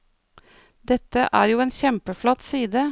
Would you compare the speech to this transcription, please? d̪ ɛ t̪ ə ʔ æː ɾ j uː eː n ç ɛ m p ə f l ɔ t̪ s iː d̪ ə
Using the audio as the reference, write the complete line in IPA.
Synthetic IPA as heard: d̪ ɛ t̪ ə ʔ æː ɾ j uː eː n ç ɛ m p ə f l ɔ t̪ s iː d̪ ə